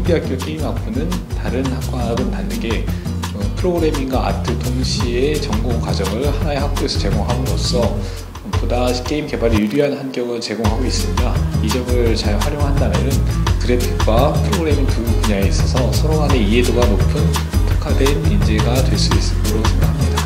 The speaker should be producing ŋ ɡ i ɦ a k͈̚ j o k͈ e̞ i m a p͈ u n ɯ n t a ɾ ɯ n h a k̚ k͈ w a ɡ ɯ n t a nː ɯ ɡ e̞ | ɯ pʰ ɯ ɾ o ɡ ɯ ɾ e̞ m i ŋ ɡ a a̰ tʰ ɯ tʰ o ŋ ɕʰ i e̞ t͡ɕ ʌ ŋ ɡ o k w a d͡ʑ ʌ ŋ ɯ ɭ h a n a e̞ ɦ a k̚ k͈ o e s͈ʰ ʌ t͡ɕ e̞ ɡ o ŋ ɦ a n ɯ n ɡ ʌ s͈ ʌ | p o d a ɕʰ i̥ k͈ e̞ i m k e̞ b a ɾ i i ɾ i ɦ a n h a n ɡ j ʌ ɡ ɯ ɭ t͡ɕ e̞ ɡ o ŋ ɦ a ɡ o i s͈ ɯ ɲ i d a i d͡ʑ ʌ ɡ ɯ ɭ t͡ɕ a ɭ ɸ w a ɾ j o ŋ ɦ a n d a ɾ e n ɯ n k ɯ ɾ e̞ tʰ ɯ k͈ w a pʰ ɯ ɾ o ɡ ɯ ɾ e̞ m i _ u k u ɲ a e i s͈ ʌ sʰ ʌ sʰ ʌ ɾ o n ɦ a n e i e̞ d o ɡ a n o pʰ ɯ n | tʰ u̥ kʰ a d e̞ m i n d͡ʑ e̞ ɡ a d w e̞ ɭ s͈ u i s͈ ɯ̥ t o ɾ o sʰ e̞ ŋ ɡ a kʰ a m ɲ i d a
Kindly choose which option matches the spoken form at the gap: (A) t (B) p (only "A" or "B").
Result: A